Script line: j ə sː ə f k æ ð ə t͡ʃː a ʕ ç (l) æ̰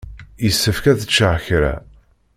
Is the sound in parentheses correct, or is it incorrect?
incorrect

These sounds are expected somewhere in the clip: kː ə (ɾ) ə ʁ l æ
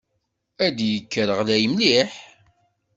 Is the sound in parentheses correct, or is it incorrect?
correct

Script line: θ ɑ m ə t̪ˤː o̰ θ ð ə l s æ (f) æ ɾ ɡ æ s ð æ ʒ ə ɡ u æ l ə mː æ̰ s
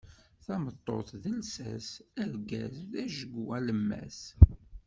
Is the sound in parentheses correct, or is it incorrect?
incorrect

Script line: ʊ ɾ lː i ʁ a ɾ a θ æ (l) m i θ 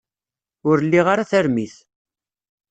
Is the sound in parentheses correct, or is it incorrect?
incorrect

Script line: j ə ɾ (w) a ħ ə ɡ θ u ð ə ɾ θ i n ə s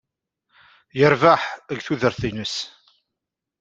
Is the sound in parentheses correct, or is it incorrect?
incorrect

